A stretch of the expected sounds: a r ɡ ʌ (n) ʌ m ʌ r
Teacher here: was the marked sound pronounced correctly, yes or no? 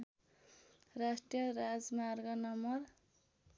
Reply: yes